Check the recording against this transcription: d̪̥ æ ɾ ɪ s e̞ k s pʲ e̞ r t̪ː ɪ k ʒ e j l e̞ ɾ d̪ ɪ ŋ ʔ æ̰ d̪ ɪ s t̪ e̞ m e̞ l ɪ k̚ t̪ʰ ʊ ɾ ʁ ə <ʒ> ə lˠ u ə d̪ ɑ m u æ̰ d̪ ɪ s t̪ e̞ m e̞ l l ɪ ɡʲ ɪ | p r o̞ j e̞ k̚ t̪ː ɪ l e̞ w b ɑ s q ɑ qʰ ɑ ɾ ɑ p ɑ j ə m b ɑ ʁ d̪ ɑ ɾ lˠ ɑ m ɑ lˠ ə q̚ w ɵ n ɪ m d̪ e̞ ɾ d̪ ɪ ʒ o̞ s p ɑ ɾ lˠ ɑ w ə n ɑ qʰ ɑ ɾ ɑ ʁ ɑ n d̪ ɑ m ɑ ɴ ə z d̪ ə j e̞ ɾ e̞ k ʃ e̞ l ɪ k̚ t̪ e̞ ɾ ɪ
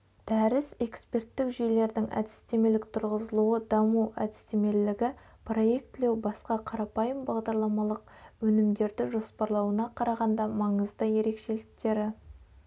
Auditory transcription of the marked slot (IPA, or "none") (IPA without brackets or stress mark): z